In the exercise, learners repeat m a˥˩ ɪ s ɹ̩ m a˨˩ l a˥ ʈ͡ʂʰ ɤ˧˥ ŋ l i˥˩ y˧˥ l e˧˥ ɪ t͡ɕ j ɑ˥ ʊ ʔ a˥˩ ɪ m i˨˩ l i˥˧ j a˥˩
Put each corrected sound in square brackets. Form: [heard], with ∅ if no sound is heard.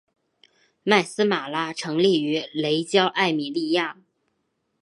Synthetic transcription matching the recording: m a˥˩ ɪ s ɹ̩ m a˨˩ l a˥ ʈ͡ʂʰ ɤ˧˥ ŋ l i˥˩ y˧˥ l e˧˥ ɪ t͡ɕ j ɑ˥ ʊ ʔ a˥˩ ɪ m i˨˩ l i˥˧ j a˥˩